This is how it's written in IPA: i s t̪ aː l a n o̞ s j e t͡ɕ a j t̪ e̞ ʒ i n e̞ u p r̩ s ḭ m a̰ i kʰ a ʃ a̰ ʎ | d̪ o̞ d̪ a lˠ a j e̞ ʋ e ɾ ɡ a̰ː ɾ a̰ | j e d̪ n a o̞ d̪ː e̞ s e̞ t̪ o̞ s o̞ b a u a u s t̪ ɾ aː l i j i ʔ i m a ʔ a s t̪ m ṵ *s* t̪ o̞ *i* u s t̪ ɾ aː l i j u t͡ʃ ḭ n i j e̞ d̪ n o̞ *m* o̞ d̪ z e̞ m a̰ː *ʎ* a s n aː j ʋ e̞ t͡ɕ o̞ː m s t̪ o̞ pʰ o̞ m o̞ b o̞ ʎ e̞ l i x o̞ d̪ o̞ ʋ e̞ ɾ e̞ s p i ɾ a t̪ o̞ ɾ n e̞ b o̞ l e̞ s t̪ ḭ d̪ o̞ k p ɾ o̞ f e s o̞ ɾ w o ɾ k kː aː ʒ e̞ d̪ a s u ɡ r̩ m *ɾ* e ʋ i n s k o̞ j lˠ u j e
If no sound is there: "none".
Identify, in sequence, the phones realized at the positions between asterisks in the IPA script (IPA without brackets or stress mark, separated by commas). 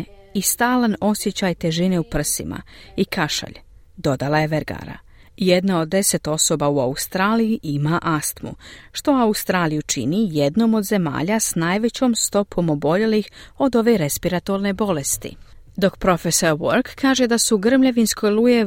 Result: ʃ, a, m, ʎ, ʎ